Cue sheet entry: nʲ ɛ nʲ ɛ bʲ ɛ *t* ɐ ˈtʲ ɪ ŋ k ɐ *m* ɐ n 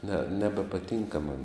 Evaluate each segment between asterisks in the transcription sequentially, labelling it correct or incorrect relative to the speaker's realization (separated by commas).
incorrect, correct